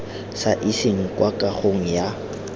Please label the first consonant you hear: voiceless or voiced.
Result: voiceless